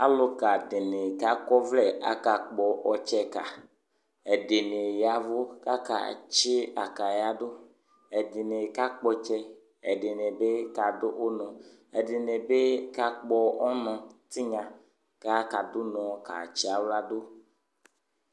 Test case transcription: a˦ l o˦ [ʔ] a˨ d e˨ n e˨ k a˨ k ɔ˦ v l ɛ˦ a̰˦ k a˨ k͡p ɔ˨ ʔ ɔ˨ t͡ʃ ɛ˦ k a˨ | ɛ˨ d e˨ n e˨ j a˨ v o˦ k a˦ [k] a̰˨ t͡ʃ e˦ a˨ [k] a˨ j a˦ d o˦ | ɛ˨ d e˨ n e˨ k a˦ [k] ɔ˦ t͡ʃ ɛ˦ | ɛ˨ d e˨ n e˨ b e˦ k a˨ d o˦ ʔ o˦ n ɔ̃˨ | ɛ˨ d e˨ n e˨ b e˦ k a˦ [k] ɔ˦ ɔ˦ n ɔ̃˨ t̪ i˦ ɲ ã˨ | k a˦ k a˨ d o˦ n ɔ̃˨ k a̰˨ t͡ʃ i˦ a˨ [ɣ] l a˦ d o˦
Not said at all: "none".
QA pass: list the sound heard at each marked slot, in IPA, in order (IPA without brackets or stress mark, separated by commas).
k, k, k, k͡p, k͡p, w